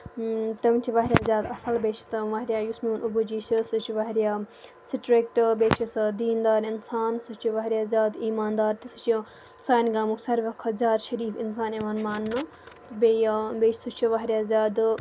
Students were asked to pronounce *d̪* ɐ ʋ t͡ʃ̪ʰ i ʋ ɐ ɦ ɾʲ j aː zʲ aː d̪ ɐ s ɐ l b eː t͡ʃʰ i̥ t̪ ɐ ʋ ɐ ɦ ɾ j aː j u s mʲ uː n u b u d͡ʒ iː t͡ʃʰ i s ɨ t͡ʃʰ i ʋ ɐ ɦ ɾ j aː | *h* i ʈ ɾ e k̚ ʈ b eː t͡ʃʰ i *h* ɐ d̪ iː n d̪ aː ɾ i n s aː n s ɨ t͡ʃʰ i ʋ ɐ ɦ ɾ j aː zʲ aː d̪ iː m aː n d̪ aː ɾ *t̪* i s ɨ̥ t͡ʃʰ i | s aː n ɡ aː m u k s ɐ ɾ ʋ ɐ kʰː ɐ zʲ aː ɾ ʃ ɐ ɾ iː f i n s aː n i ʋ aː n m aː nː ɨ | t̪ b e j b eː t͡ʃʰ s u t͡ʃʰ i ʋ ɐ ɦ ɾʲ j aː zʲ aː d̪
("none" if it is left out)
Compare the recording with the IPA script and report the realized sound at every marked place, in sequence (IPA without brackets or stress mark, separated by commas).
t̪, s, s, t̪